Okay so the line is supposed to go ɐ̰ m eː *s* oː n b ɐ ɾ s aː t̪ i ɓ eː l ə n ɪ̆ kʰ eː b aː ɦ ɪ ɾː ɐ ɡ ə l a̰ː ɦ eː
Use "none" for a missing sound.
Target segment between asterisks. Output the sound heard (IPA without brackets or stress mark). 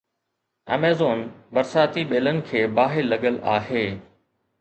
z